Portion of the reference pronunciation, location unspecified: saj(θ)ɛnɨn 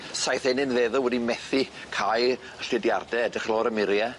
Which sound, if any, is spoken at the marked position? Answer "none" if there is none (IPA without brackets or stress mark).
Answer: θ